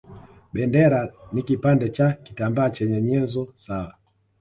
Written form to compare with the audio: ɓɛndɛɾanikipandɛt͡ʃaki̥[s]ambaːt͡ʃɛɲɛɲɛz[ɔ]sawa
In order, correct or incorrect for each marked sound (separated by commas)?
incorrect, correct